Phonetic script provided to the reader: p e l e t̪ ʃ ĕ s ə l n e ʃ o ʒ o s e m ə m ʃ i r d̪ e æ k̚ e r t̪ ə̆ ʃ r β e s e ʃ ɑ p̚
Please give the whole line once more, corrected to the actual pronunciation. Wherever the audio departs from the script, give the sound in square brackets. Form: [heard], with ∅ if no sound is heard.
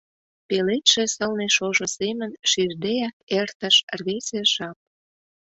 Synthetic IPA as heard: p e l e t̪ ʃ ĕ s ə l n e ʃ o ʒ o s e m ə [n] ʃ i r d̪ e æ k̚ e r t̪ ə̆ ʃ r β e s e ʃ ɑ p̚